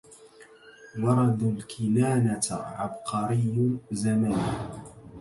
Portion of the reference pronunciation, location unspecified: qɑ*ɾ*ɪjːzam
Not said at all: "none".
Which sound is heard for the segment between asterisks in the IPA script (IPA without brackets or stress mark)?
ɾ